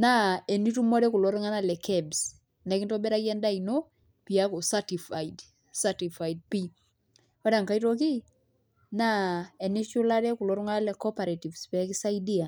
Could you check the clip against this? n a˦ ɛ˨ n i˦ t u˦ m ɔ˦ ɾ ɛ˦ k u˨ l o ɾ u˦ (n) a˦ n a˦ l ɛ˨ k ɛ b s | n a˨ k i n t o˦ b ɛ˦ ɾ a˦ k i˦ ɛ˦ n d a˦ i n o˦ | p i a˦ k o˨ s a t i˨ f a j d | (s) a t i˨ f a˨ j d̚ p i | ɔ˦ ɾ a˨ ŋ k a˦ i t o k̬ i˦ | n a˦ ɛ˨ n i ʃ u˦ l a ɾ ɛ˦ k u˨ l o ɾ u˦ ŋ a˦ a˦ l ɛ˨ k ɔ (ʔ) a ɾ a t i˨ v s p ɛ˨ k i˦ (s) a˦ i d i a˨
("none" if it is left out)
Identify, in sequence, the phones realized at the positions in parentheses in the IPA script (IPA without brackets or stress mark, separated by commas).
ŋ, s, p, s